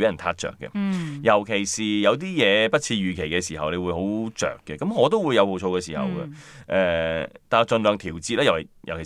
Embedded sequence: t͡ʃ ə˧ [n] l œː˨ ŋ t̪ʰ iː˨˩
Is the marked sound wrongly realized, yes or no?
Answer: no